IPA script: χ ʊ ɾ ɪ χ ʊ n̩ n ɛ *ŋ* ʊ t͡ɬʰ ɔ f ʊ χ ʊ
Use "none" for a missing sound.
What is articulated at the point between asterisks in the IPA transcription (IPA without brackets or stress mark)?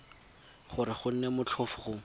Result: m